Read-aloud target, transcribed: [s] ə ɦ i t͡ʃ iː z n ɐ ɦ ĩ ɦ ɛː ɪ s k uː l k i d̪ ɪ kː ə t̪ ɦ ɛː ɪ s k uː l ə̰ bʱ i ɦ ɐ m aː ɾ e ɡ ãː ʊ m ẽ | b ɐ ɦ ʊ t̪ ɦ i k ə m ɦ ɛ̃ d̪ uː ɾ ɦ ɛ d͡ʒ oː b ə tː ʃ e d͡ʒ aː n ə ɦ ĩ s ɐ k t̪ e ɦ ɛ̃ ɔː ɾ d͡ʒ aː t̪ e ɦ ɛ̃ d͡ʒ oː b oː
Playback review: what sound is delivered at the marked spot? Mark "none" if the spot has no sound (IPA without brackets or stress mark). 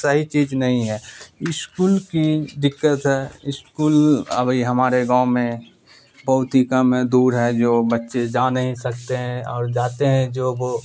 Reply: s